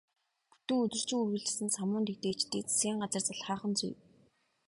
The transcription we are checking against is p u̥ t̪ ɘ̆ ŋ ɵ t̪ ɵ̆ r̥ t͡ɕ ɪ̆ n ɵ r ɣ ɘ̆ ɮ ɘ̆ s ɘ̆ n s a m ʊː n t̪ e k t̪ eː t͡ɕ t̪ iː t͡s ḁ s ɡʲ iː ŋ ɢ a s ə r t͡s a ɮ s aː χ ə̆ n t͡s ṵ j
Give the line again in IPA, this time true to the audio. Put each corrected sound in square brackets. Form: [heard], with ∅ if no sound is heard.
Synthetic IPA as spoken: p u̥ t̪ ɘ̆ ŋ ɵ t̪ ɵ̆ r̥ t͡ɕ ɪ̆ [ŋ] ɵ r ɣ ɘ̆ ɮ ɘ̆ s ɘ̆ n s a m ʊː n t̪ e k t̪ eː t͡ɕ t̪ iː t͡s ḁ s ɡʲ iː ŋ ɢ a [t͡s] ə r t͡s a ɮ [χ] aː χ ə̆ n t͡s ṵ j